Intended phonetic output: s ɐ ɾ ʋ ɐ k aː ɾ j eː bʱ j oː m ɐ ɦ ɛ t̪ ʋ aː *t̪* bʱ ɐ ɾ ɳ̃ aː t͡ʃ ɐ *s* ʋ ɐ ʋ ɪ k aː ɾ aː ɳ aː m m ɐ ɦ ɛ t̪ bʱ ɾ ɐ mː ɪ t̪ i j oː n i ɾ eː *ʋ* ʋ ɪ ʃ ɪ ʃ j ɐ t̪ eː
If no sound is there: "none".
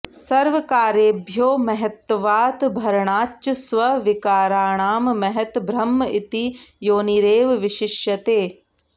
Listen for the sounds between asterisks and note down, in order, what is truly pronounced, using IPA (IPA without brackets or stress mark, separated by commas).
t̪, s, ʋ